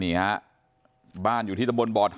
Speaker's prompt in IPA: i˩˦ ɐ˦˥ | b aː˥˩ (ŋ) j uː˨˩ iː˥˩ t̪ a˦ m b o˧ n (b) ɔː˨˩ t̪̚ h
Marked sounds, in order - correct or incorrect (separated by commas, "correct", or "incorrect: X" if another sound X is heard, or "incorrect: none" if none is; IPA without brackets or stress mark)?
incorrect: n, correct